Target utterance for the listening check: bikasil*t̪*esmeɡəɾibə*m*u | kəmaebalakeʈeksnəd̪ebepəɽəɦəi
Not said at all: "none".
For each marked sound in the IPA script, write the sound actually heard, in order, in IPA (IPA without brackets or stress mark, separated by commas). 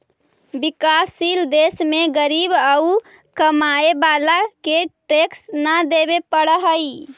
d̪, none